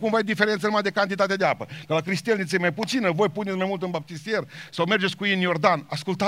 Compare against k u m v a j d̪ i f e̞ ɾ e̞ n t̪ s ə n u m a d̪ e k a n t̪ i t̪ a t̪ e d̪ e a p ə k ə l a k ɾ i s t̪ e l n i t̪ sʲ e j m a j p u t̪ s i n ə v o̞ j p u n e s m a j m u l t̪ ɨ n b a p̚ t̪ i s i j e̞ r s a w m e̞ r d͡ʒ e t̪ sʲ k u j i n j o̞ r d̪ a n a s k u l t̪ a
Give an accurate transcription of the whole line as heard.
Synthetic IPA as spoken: k u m v a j d̪ i f e̞ ɾ e̞ n t̪ s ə n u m a d̪ e k a n t̪ i t̪ a t̪ e d̪ e a p ə k ə l a k ɾ i s t̪ e l n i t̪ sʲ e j m a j p u t̪ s i n ə v o̞ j p u n e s m a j m u l t̪ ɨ n b a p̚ t̪ i s i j e̞ r s a w m e̞ r d͡ʒ e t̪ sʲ k u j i n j o̞ r d̪ a n a s k u l t̪ a